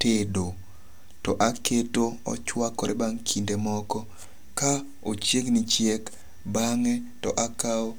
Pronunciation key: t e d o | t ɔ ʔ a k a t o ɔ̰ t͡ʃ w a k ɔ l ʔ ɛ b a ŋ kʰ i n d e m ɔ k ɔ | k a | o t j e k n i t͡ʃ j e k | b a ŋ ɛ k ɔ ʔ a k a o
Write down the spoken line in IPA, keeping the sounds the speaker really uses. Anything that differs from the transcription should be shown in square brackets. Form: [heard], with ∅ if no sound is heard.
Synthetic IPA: t e d o | t ɔ ʔ a k [e] t o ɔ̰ t͡ʃ w a k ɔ [ɾ] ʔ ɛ b a ŋ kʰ i n d e m ɔ k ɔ | k a | o [t͡ʃ] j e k n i t͡ʃ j e k | b a ŋ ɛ [t] ɔ ʔ a k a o